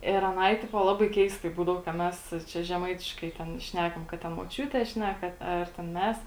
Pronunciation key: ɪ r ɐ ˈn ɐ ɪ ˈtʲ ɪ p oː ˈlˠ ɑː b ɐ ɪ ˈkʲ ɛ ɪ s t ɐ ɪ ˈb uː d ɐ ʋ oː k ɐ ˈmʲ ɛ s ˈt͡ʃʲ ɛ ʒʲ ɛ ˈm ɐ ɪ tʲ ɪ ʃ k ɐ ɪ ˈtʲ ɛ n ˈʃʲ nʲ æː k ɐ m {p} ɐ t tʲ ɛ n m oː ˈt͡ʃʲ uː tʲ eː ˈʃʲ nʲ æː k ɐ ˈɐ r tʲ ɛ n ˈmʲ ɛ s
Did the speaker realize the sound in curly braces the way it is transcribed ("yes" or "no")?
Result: no